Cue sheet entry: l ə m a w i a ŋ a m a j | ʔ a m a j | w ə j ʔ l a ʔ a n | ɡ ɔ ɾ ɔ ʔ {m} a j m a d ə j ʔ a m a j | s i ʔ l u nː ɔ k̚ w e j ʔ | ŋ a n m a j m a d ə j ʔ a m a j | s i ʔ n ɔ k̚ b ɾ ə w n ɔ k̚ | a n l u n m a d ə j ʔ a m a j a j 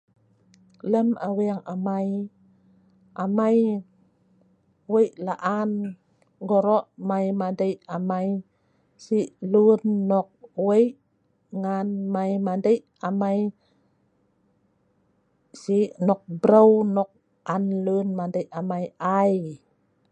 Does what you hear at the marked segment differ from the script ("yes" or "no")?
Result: no